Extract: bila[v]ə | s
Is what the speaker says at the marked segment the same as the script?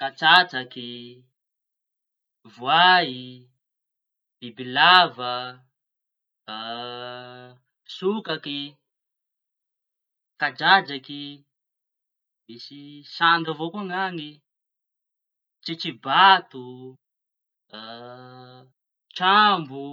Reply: yes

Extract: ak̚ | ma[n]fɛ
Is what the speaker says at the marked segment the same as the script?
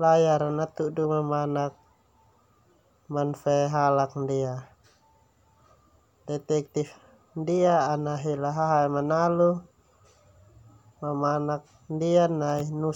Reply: yes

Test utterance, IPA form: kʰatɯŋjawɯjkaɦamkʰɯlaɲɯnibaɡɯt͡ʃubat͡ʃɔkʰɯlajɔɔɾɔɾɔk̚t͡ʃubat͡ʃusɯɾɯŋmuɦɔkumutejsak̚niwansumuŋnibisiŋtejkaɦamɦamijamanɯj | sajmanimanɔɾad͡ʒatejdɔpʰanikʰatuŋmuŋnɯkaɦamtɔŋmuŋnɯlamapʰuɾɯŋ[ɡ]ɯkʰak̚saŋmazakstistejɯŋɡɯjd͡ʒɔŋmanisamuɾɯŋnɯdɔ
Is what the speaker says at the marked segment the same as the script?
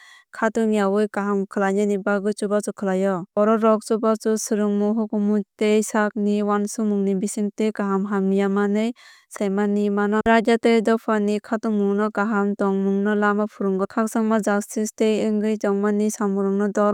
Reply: yes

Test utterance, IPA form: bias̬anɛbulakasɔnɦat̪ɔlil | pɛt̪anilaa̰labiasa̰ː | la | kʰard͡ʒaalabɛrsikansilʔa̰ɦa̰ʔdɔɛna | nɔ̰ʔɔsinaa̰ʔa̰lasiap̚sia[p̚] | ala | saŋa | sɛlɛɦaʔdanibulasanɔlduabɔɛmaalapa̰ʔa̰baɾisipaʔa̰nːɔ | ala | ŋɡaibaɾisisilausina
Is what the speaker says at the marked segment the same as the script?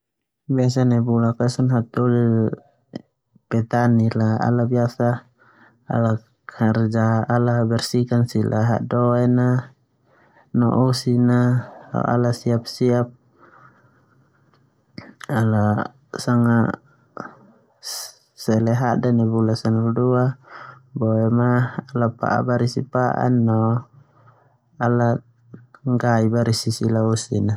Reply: yes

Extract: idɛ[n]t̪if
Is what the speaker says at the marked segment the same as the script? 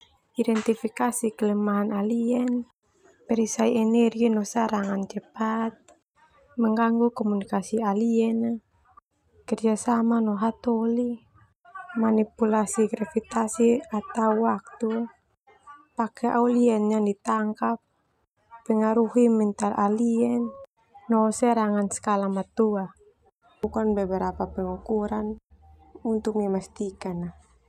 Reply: yes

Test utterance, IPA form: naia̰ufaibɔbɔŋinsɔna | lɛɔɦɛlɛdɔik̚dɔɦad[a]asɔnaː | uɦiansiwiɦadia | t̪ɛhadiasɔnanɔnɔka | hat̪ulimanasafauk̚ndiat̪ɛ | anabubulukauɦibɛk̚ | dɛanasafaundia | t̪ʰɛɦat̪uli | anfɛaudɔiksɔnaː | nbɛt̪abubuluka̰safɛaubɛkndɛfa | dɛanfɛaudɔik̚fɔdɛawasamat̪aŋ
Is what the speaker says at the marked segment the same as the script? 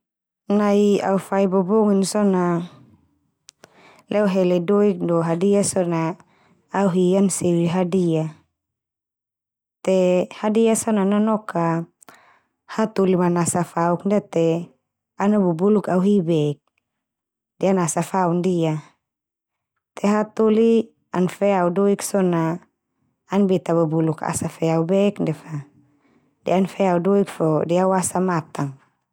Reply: no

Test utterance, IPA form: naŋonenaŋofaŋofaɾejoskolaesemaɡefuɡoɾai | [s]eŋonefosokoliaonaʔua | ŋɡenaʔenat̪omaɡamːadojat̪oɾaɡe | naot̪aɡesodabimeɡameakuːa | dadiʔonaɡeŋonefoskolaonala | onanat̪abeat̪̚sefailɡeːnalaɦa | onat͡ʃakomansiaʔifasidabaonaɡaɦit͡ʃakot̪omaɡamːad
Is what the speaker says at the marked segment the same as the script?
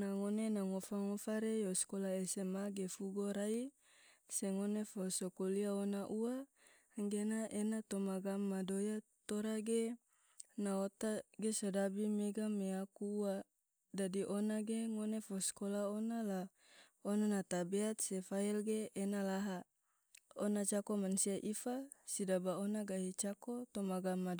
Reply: yes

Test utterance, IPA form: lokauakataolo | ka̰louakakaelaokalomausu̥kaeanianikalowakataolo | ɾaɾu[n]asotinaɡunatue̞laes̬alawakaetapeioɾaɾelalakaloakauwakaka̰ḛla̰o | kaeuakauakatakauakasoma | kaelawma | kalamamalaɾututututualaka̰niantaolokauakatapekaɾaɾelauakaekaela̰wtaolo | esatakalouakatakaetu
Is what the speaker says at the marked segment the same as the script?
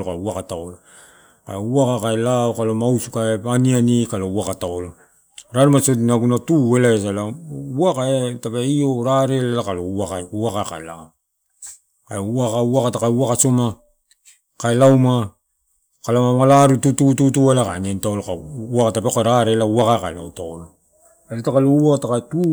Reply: no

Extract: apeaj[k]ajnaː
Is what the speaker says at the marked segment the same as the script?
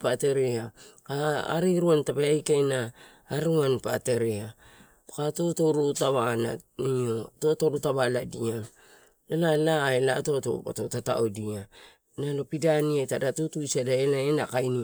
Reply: yes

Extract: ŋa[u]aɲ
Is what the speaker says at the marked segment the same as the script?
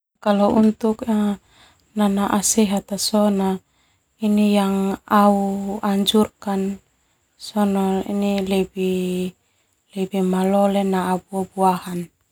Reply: yes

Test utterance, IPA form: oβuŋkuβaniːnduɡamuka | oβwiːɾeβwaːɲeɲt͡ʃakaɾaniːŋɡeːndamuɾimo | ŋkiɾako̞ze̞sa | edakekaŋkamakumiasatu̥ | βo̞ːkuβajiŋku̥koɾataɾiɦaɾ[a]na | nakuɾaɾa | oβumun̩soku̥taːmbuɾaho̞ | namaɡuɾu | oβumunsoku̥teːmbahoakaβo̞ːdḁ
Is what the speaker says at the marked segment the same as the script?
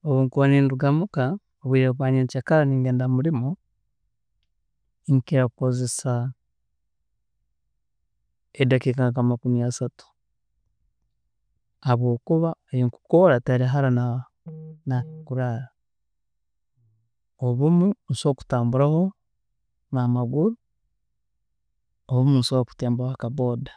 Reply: yes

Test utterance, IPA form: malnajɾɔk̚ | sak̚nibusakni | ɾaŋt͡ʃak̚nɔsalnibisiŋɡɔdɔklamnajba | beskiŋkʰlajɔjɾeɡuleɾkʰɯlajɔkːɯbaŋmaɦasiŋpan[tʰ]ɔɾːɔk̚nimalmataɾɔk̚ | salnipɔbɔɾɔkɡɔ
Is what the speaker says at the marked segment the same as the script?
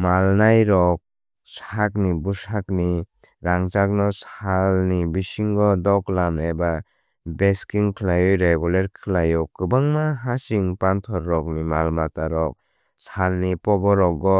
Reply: yes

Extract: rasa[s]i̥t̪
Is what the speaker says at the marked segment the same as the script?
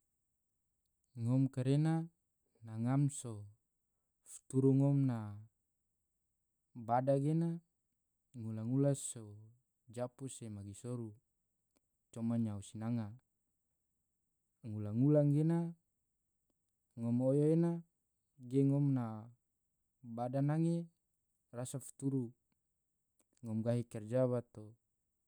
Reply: no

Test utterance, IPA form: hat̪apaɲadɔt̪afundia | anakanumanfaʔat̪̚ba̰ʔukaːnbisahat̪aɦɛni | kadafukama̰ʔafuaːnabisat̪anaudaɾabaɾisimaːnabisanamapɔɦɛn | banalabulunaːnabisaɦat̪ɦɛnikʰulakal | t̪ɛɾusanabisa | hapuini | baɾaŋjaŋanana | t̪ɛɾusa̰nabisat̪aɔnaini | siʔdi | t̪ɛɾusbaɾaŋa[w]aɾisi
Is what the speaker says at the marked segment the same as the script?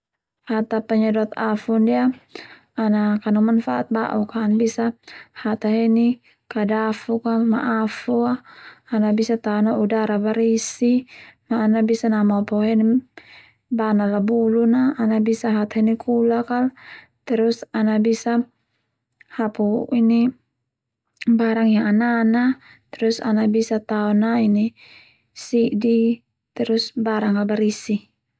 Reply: no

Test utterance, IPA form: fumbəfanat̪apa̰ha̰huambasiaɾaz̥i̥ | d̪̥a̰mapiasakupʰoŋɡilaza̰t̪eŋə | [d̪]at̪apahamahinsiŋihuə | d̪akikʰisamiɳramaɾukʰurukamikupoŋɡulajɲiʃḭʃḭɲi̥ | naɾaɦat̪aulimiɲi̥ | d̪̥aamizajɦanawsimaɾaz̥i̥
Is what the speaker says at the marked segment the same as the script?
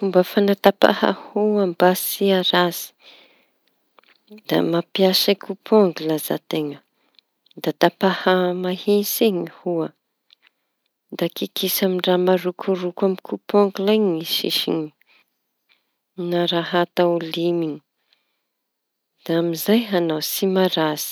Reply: yes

